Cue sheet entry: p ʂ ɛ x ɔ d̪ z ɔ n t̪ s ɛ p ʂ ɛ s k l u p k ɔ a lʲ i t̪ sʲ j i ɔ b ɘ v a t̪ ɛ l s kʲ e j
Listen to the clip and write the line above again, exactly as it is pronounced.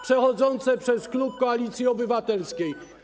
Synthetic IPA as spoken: p ʂ ɛ x ɔ d̪ z ɔ n t̪ s ɛ p ʂ ɛ s k l u p k ɔ a lʲ i t̪ sʲ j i ɔ b ɘ v a t̪ ɛ l s kʲ e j

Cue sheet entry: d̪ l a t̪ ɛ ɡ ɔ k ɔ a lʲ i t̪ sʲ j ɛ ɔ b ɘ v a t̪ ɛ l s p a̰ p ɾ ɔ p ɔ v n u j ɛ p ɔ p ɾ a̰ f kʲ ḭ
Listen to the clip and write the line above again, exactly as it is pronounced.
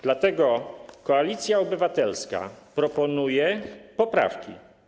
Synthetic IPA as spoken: d̪ l a t̪ ɛ ɡ ɔ k ɔ a lʲ i t̪ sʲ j a ɔ b ɘ v a t̪ ɛ l s k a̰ p ɾ ɔ p ɔ n u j ɛ p ɔ p ɾ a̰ f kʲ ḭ

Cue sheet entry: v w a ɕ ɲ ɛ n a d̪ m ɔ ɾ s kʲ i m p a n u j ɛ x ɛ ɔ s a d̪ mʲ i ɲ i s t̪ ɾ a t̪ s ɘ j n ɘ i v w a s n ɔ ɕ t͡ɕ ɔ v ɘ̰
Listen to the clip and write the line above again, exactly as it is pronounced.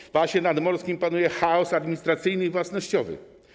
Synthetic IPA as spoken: v w a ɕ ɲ ɛ n a d̪ m ɔ ɾ s kʲ i m p a n u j ɛ x a ɔ s a d̪ mʲ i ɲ i s t̪ ɾ a t̪ s ɘ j n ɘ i v w a s n ɔ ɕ t͡ɕ ɔ v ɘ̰

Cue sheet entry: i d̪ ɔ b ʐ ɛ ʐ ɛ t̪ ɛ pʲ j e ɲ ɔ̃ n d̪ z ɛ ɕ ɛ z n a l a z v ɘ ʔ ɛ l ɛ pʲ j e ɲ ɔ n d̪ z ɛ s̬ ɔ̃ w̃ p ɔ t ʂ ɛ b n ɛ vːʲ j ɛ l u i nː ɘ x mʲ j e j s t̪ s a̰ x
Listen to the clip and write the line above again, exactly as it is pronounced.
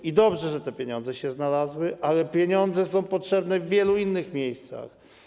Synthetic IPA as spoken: i d̪ ɔ b ʐ ɛ ʐ ɛ t̪ ɛ pʲ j e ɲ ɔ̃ n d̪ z ɛ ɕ ɛ z n a l a z w ɘ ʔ a l ɛ pʲ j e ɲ ɔ n d̪ z ɛ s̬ ɔ̃ w̃ p ɔ t ʂ ɛ b n ɛ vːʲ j ɛ l u i nː ɘ x mʲ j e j s t̪ s a̰ x

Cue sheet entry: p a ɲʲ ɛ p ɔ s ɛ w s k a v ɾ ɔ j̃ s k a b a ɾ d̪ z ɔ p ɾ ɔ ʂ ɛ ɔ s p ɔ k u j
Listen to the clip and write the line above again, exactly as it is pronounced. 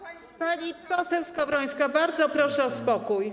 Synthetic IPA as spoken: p a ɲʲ i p ɔ s ɛ w s k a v ɾ ɔ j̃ s k a b a ɾ d̪ z ɔ p ɾ ɔ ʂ ɛ ɔ s p ɔ k u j

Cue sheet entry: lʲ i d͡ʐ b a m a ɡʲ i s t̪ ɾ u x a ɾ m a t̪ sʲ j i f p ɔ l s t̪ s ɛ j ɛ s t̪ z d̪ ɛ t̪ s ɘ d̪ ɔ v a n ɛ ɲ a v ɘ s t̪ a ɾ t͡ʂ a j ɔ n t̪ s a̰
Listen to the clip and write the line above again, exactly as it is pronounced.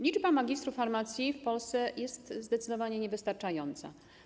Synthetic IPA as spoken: lʲ i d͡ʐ b a m a ɡʲ i s t̪ ɾ u f a ɾ m a t̪ sʲ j i f p ɔ l s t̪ s ɛ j ɛ s t̪ z d̪ ɛ t̪ s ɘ d̪ ɔ v a ɲ ɛ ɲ ɛ v ɘ s t̪ a ɾ t͡ʂ a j ɔ n t̪ s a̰

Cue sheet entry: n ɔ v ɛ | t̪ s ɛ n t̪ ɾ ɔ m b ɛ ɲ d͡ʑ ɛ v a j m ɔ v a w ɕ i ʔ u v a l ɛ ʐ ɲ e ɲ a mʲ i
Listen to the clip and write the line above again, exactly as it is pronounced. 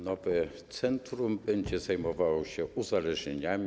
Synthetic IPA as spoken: n ɔ v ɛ | t̪ s ɛ n t̪ ɾ u m b ɛ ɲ d͡ʑ ɛ z a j m ɔ v a w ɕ ɛ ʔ u z a l ɛ ʐ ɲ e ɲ a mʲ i

